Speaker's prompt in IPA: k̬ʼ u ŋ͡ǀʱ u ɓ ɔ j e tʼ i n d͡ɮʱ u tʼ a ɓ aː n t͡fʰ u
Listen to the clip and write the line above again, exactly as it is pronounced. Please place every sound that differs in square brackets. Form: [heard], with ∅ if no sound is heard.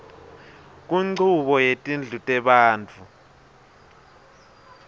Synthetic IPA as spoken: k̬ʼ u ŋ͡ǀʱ u ɓ ɔ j e tʼ i n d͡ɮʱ u tʼ [ɛ] ɓ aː n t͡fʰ u